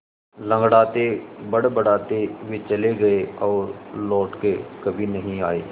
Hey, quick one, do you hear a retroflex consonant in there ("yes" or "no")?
yes